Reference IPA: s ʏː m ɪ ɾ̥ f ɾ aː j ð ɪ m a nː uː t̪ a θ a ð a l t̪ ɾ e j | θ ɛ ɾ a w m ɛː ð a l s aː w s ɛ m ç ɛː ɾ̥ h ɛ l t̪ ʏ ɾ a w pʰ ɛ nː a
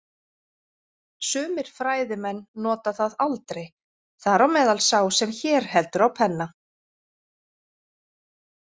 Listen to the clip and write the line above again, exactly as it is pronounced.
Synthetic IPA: s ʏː m ɪ ɾ̥ f ɾ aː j ð ɪ m ɛ nː ɔː t̪ a θ a ð a l t̪ ɾ e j | θ a ɾ a w m ɛː ð a l s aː w s ɛ m ç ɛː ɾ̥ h ɛ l t̪ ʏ ɾ a w pʰ ɛ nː a